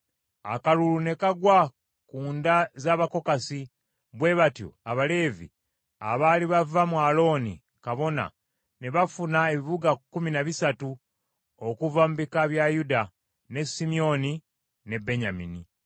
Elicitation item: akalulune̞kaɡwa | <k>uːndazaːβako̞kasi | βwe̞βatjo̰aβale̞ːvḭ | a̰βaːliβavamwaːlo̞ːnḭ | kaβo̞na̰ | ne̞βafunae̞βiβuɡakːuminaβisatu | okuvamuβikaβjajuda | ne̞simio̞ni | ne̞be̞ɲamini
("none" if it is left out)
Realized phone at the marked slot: k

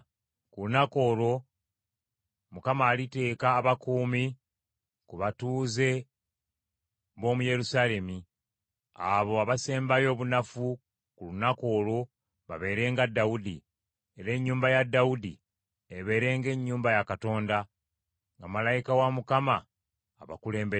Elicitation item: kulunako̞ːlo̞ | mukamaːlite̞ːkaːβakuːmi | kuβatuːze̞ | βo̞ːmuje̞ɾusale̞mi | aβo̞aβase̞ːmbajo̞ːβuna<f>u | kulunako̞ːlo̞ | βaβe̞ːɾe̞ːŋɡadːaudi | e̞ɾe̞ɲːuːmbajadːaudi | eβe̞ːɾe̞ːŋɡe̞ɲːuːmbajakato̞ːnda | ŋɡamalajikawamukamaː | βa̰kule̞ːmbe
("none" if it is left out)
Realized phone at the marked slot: f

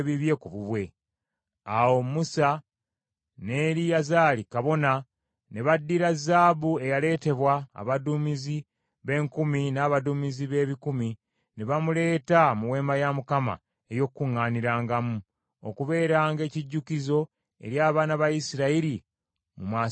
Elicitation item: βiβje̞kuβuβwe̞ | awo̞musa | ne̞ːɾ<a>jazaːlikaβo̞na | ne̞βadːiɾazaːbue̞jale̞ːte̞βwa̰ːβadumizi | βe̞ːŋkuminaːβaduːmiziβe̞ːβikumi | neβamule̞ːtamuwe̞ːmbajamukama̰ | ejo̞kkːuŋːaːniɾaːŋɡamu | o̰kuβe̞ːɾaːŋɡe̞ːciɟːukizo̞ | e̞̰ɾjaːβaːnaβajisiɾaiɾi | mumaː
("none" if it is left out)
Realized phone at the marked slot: i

